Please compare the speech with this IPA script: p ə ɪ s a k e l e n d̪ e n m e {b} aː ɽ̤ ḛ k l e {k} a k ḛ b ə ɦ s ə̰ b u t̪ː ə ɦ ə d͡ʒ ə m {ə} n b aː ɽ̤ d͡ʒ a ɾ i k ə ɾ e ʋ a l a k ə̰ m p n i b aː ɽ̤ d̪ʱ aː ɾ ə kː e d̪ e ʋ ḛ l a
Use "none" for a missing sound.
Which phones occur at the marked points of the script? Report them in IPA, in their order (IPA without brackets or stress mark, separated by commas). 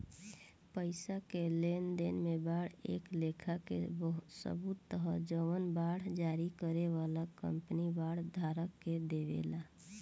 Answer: b, kʰ, ə